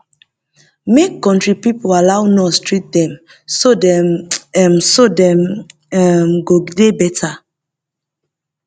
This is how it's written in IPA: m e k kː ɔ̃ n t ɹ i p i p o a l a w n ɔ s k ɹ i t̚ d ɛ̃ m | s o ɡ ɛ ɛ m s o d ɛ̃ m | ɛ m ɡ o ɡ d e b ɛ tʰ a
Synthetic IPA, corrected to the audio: m e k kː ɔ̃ n t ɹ i p i p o a l a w n ɔ s t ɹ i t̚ d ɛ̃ m | s o d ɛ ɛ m s o d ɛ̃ m | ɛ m ɡ o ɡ d e b ɛ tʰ a